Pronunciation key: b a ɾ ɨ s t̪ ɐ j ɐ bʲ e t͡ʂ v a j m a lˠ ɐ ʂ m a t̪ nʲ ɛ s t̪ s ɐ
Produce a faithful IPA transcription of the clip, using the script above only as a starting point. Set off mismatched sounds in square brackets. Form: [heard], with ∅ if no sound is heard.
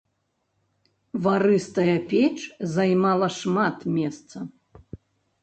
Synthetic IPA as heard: [v] a ɾ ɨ s t̪ ɐ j ɐ [pʲ] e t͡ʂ [z] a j m a lˠ ɐ ʂ m a t̪ [mʲ] ɛ s t̪ s ɐ